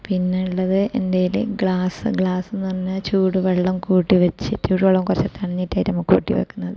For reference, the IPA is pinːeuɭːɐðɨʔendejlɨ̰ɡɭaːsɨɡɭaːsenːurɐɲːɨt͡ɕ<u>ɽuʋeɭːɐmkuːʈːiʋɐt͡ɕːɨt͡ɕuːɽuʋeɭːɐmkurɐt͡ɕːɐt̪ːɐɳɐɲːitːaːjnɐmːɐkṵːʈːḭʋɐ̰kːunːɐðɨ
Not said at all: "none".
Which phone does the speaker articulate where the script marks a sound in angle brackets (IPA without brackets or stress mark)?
uː